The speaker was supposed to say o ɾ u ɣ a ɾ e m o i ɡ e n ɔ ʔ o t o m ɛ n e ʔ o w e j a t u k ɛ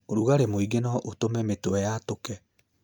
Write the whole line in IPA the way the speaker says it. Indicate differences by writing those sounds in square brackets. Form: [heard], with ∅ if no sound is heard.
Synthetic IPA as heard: o ɾ u ɣ a ɾ e m o i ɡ e n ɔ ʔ o t o m ɛ [m] e [t] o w [ɛ] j a t [o] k ɛ